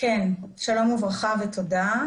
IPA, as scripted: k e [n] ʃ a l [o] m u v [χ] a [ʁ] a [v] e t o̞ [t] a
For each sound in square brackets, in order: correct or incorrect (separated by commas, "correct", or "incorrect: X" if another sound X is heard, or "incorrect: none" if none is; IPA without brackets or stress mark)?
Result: correct, correct, incorrect: ʁ, incorrect: χ, correct, incorrect: d